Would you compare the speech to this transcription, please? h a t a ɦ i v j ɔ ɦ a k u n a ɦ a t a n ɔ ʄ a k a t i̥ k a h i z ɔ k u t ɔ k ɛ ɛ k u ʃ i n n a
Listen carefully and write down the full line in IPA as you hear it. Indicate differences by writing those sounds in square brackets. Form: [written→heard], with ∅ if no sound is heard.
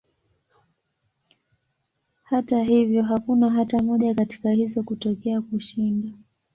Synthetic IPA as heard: h a t a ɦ i v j ɔ ɦ a k u n a ɦ a t a [n→m] ɔ ʄ a k a t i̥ k a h i z ɔ k u t ɔ k ɛ [ɛ→a] k u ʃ i n [n→d] a